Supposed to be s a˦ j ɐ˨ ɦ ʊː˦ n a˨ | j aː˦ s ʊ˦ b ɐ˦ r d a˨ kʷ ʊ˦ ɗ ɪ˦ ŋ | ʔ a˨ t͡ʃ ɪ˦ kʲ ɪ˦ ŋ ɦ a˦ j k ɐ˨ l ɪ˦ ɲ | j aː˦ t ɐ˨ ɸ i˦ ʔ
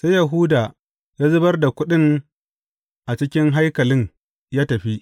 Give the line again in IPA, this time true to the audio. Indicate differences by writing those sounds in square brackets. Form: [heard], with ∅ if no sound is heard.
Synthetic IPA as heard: s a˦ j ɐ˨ ɦ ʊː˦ [d] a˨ | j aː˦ [z] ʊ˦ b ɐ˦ r d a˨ kʷ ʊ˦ ɗ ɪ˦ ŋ | ʔ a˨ t͡ʃ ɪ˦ kʲ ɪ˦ ŋ ɦ a˦ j k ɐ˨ l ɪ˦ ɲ | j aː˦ t ɐ˨ ɸ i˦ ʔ

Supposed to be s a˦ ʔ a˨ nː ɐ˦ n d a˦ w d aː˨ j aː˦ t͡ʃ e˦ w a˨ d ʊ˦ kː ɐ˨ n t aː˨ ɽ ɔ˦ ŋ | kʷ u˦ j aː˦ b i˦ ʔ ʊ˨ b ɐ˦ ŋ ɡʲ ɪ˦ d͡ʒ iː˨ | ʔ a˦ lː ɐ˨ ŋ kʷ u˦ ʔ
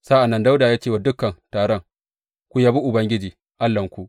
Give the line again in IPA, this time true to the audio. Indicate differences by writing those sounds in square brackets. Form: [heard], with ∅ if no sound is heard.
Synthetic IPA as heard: s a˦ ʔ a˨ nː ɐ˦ n d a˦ w d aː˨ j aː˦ t͡ʃ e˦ w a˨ d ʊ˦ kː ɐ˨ n t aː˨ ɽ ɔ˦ ŋ | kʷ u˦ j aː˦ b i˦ ʔ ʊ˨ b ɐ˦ ŋ ɡʲ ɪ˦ d͡ʒ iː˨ | ʔ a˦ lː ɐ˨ ŋ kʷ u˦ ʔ

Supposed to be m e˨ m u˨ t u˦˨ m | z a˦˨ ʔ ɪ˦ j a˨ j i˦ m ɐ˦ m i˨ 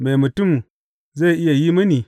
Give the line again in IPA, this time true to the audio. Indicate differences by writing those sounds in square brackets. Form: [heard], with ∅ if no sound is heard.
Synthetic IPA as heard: m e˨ m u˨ t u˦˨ m | z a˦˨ ʔ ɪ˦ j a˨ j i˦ m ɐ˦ [n] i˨

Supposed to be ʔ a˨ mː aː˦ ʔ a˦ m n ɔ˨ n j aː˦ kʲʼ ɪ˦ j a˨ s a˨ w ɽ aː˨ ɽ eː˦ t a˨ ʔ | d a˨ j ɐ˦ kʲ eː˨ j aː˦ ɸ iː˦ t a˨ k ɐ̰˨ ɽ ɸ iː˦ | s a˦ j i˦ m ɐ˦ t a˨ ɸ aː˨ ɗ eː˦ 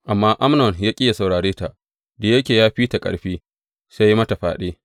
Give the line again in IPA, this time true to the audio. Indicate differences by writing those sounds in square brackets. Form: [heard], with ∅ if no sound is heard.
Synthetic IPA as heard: ʔ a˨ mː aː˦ ʔ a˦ m n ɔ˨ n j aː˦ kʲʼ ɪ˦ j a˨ s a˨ w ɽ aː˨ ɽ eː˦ t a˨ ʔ | d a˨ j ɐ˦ kʲ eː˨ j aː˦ ɸ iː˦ t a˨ [kʼ] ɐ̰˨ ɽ ɸ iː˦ | s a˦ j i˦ m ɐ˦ t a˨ ɸ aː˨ ɗ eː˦

